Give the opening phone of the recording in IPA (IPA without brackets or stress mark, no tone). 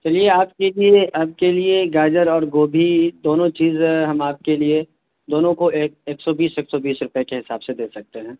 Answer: t͡ʃ